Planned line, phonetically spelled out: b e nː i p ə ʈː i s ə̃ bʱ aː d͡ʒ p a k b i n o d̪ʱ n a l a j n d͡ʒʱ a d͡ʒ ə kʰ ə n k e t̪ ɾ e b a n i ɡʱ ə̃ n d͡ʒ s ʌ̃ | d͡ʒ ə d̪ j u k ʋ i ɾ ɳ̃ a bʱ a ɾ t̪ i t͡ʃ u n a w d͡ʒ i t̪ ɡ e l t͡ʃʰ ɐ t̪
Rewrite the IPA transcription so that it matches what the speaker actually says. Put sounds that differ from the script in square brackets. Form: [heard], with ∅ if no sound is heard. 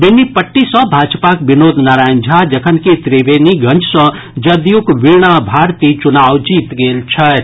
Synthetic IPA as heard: b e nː i p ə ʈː i s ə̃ bʱ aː d͡ʒ p a k b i n o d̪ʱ n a [ɾ] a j n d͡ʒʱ a d͡ʒ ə kʰ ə n k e t̪ ɾ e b [e] n i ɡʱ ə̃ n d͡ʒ s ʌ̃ | d͡ʒ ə d̪ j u k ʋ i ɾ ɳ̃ a bʱ a ɾ t̪ i t͡ʃ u n a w d͡ʒ i t̪ ɡ e l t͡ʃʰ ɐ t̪

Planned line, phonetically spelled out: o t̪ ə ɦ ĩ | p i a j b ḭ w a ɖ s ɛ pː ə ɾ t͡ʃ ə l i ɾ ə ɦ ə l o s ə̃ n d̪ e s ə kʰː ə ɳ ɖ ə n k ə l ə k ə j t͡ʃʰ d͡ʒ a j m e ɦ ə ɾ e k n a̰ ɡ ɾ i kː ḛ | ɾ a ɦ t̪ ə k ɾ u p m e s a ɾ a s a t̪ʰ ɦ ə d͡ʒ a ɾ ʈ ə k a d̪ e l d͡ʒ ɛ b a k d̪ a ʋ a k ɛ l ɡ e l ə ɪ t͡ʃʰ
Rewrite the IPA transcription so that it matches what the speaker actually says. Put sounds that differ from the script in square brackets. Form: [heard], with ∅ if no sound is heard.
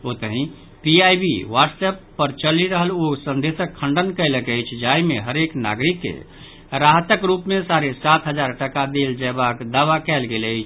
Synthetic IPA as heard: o t̪ ə ɦ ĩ | p i a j b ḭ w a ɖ s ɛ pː ə ɾ t͡ʃ ə l i ɾ ə ɦ ə l o s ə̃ n d̪ e s ə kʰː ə ɳ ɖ ə n k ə l ə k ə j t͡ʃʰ d͡ʒ a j m e ɦ ə ɾ e k n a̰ ɡ ɾ i kː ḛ | ɾ a ɦ t̪ ə k ɾ u p m e s a ɾ [e] s a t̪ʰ ɦ ə d͡ʒ a ɾ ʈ ə k a d̪ e l d͡ʒ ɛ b a k d̪ a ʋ a k ɛ l ɡ e l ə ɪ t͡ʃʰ

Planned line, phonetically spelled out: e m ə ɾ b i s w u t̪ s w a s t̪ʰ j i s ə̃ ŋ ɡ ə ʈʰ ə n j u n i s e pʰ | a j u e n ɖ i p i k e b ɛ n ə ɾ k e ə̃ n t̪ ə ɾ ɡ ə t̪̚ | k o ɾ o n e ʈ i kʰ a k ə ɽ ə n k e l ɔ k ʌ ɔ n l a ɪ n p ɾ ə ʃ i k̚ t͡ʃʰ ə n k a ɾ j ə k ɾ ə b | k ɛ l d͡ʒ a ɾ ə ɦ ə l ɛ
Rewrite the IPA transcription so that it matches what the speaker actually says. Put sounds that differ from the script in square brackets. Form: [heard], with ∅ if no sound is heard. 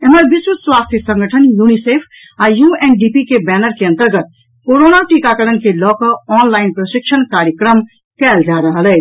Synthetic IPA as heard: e m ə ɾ b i s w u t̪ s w a s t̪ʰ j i s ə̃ ŋ ɡ ə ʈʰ ə n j u n i s e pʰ | a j u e n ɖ i p i k e b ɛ n ə ɾ k e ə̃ n t̪ ə ɾ ɡ ə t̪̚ | k o ɾ o n [a] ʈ i [k] a k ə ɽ ə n k e l ɔ k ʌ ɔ n l a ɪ n p ɾ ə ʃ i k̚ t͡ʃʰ ə n k a ɾ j ə k ɾ ə [m] | k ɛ l d͡ʒ a ɾ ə ɦ ə l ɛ

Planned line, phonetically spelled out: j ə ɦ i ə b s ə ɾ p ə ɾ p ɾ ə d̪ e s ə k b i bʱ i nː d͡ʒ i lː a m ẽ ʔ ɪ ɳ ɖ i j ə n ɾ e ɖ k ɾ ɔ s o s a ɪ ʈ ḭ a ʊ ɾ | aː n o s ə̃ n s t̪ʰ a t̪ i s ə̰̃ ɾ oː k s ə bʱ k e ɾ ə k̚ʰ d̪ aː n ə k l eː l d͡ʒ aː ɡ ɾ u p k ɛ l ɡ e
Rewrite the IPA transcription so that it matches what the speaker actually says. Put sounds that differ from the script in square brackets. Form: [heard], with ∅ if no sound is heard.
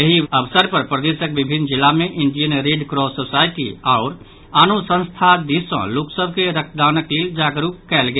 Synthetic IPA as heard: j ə ɦ i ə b s ə ɾ p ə ɾ p ɾ ə d̪ e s ə k b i bʱ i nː d͡ʒ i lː a m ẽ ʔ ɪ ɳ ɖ i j ə n ɾ e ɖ k ɾ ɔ s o s a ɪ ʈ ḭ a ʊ ɾ | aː n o s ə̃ n s t̪ʰ a [d̪] i s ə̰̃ [l] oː k s ə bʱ k e ɾ ə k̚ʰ d̪ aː n ə k l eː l d͡ʒ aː ɡ ɾ u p k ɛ l ɡ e

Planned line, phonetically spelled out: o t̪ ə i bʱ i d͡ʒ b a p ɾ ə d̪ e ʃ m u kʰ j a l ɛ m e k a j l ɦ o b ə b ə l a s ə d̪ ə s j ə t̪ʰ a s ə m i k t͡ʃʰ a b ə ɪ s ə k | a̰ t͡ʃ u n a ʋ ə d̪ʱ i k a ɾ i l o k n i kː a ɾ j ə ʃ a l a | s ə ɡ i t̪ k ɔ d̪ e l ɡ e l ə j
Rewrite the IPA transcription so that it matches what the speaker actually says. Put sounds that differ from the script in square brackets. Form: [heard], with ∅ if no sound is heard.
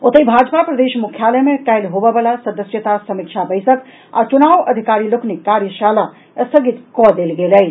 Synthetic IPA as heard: o t̪ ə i bʱ [a] d͡ʒ [p] a p ɾ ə d̪ e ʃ m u kʰ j a l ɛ m e k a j l ɦ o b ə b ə l a s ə d̪ ə s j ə [t̪] a s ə m i k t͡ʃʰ a b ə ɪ s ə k | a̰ t͡ʃ u n a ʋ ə d̪ʱ i k a ɾ i l o k n i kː a ɾ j ə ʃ a l a | s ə ɡ i t̪ k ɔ d̪ e l ɡ e l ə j

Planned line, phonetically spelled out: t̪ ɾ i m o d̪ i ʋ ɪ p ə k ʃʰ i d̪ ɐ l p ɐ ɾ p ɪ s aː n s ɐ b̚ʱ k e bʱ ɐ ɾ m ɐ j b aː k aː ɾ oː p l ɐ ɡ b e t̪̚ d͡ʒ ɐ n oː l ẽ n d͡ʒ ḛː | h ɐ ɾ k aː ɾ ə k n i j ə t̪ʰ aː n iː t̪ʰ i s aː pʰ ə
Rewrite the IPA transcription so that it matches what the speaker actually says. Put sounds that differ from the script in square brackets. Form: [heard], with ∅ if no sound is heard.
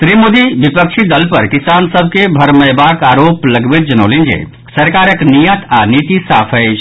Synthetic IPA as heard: t̪ ɾ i m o d̪ i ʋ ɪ p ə k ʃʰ i d̪ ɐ l p ɐ ɾ [k] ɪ s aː n s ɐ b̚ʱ k e bʱ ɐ ɾ m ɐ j b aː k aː ɾ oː p l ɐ ɡ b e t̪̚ d͡ʒ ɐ n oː l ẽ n d͡ʒ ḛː | [s] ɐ ɾ k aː ɾ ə k n i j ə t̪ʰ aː n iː [t̪] i s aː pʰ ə

